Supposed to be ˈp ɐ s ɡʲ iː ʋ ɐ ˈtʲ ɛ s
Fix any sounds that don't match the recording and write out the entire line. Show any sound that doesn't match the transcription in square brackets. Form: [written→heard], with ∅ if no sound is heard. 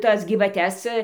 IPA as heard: [ˈp→ˈt] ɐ s ɡʲ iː ʋ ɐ ˈtʲ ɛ s